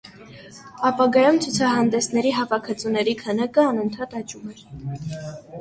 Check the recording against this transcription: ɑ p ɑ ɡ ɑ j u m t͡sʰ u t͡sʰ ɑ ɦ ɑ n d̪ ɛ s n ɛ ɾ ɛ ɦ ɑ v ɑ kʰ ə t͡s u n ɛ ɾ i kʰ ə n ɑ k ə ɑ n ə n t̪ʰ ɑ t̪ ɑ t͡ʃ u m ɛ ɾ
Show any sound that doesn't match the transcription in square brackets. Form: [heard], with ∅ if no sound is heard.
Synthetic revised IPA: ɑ p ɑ ɡ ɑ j u m t͡sʰ u t͡sʰ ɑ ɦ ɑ n d̪ ɛ s n ɛ ɾ [i] ɦ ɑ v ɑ kʰ ə t͡s u n ɛ ɾ i kʰ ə n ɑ k ə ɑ n ə n t̪ʰ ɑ t̪ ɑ t͡ʃ u m ɛ ɾ